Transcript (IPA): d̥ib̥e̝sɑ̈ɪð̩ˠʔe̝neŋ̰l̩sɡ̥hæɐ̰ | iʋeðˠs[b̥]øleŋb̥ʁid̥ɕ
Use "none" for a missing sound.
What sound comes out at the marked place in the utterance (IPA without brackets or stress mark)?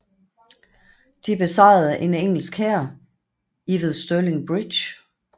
d̥